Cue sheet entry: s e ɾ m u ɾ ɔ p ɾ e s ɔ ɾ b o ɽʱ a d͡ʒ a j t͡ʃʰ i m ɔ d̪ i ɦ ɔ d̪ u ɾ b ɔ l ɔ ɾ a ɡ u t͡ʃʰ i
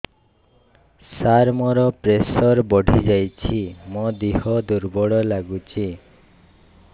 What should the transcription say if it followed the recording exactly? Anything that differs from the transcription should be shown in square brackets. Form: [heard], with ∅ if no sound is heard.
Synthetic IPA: s [a] ɾ m [ɔ] ɾ ɔ p ɾ e s ɔ ɾ b [ɔ] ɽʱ [i] d͡ʒ a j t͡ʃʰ i m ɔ d̪ i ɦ ɔ d̪ u ɾ b ɔ [ɽ] ɔ [l] a ɡ u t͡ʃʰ i

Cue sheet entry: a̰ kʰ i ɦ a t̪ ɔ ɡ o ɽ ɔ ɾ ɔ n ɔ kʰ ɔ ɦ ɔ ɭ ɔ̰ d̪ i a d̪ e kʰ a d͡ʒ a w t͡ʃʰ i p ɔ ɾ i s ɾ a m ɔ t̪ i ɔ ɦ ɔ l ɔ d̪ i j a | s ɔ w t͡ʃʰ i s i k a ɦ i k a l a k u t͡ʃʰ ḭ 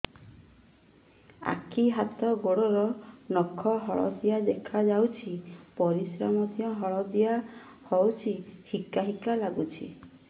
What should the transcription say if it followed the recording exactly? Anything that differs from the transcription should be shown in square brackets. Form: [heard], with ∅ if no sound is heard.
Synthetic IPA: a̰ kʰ i ɦ a t̪ ɔ ɡ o ɽ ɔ ɾ ɔ n ɔ kʰ ɔ ɦ ɔ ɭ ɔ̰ d̪ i a d̪ e kʰ a d͡ʒ a w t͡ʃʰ i p ɔ ɾ i s ɾ a m ɔ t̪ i ɔ ɦ ɔ [ɭ] ɔ d̪ i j a | [h] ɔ w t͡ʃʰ i [h] i k a ɦ i k a l a [ɡ] u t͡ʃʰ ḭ

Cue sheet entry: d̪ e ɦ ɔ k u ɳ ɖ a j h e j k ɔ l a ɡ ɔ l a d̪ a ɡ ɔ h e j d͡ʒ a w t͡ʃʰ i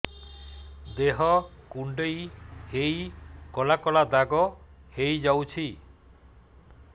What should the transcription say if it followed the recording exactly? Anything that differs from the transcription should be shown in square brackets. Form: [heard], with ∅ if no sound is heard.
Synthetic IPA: d̪ e ɦ ɔ k u ɳ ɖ [e] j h e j k ɔ l a [k] ɔ l a d̪ a ɡ ɔ h e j d͡ʒ a w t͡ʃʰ i

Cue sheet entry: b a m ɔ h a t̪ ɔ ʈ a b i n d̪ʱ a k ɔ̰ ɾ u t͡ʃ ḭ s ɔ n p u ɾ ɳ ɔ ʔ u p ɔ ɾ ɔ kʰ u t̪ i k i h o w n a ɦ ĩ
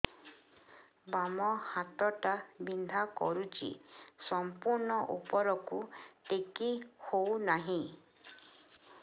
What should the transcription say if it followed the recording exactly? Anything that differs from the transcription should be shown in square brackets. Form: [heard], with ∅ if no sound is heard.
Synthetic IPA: b a m ɔ h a t̪ ɔ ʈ a b i n d̪ʱ a k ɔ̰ ɾ u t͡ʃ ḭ s ɔ [m] p u ɾ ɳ ɔ ʔ u p ɔ ɾ ɔ [k] u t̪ [e] k i h o w n a ɦ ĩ

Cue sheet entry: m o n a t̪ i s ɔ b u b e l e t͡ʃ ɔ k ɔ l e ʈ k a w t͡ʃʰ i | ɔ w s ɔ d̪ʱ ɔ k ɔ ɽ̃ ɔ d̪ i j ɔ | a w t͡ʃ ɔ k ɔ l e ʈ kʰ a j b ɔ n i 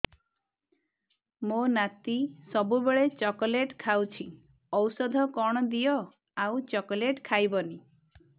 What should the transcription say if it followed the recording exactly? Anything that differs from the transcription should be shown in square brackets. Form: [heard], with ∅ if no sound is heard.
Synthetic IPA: m o n a t̪ i s ɔ b u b e [ɭ] e t͡ʃ ɔ k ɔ l e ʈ [kʰ] a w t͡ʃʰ i | ɔ w s ɔ d̪ʱ ɔ k ɔ ɽ̃ ɔ d̪ i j ɔ | a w t͡ʃ ɔ k ɔ l e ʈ kʰ a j b ɔ n i

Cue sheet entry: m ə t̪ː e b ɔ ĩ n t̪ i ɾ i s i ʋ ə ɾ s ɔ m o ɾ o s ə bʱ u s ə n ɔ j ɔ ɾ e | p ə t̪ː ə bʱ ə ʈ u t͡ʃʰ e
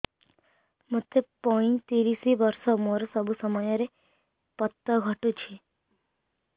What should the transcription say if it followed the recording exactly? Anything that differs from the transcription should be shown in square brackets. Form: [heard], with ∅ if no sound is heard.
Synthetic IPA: m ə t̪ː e [p] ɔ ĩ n t̪ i ɾ i s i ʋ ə ɾ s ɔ m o ɾ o s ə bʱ u s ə [m] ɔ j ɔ ɾ e | p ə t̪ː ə [ɡʱ] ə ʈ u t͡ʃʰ e

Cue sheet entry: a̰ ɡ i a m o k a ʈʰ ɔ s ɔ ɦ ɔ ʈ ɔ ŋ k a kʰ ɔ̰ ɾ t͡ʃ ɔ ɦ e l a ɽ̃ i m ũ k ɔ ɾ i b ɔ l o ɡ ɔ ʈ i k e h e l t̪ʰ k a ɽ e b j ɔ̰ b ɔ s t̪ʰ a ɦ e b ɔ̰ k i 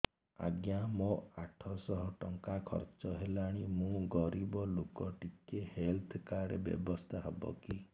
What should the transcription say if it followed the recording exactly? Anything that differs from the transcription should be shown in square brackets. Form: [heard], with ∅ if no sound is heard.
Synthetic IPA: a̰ ɡ [j] a m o [∅] a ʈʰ ɔ s ɔ ɦ ɔ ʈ ɔ ŋ k a kʰ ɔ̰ ɾ t͡ʃ ɔ ɦ e l a ɽ̃ i m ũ [ɡ] ɔ ɾ i b ɔ l o [k] ɔ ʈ i k e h e l t̪ʰ k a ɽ e b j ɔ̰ b ɔ s t̪ʰ a ɦ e b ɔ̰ k i

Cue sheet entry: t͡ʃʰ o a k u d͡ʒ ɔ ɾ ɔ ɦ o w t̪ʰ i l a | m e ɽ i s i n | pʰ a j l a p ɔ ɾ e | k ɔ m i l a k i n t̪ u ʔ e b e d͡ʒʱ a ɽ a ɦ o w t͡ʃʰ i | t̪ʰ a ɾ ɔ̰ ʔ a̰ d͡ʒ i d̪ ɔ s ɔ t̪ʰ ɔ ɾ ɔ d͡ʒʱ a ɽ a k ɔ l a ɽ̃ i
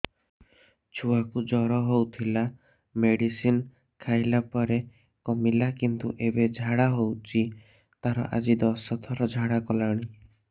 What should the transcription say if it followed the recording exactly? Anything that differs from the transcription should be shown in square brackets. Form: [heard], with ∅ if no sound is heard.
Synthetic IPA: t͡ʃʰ [u] a k u d͡ʒ ɔ ɾ ɔ ɦ o w t̪ʰ i l a | m e ɽ i s i n | [kʰ] a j l a p ɔ ɾ e | k ɔ m i l a k i n t̪ u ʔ e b e d͡ʒʱ a ɽ a ɦ o w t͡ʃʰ i | [t̪] a ɾ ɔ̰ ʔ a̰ d͡ʒ i d̪ ɔ s ɔ t̪ʰ ɔ ɾ ɔ d͡ʒʱ a ɽ a k ɔ l a ɽ̃ i

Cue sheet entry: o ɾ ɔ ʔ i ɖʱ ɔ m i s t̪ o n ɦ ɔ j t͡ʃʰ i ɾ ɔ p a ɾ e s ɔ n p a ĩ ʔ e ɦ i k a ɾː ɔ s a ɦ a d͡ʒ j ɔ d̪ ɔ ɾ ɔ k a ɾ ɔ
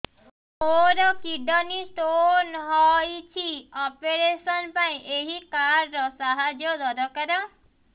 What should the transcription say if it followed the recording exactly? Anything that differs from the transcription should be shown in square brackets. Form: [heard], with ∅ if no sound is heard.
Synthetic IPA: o ɾ ɔ [k] i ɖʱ ɔ [n] i s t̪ o n ɦ ɔ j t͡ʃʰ i [∅] ɔ p [e] ɾ e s ɔ n p a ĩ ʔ e ɦ i k a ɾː ɔ s a ɦ a d͡ʒ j ɔ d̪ ɔ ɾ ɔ k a ɾ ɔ

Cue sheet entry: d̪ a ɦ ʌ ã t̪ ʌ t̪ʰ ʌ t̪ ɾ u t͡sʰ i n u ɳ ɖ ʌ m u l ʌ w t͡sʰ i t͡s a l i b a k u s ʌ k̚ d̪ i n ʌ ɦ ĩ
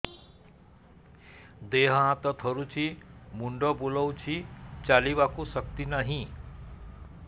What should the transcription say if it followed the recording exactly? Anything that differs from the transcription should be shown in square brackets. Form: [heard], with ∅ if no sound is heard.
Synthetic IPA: d̪ [e] ɦ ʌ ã t̪ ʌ t̪ʰ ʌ [∅] ɾ u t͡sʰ i [m] u ɳ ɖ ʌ [b] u l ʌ w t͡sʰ i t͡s a l i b a k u s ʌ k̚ [t̪] i n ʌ ɦ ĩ

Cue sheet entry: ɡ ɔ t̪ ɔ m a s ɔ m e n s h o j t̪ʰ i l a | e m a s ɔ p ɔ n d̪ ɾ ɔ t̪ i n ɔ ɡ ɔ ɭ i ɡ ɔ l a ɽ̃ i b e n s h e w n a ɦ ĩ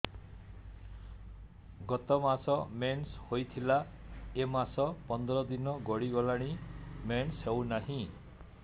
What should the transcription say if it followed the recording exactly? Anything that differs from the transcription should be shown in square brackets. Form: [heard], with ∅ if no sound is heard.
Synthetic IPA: ɡ ɔ t̪ ɔ m a s ɔ m e n s h o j t̪ʰ i l a | e m a s ɔ p ɔ n d̪ ɾ ɔ [d̪] i n ɔ ɡ ɔ [ɽ] i ɡ ɔ l a ɽ̃ i [m] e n s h e w n a ɦ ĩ

